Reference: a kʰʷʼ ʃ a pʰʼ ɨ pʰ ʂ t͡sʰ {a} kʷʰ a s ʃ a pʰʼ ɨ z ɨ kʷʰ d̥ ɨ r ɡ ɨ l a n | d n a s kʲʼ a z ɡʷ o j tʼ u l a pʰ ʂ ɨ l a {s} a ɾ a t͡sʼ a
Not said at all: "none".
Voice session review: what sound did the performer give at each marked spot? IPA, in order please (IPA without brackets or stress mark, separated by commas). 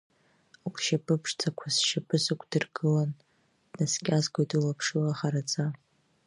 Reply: a, χ